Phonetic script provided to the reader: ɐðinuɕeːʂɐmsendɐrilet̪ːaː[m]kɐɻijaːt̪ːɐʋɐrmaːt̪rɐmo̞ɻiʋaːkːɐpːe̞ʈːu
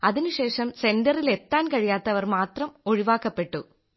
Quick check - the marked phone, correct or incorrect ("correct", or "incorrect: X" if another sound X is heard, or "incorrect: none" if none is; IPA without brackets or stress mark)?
incorrect: n